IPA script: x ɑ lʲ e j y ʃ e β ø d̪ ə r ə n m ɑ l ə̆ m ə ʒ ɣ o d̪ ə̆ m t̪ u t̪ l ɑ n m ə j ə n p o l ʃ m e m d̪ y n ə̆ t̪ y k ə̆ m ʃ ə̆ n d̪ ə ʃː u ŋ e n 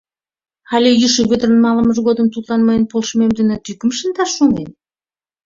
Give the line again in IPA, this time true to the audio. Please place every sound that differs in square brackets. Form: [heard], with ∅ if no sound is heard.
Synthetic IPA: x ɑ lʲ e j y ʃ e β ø d̪ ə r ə n m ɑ l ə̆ m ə ʒ ɣ o d̪ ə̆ m t̪ u t̪ l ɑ n m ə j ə n p o l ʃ m e m d̪ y n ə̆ t̪ y k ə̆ m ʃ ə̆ n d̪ [ɑ] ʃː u ŋ e n